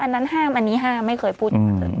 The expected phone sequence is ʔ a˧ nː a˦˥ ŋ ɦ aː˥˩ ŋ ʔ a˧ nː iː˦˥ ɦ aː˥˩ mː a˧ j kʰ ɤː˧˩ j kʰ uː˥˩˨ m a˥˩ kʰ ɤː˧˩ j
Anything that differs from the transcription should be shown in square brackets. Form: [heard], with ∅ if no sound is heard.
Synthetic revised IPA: ʔ a˧ nː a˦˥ [n] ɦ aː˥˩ [m] ʔ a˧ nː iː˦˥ ɦ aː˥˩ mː [a˥˩] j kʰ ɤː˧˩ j [pʰ] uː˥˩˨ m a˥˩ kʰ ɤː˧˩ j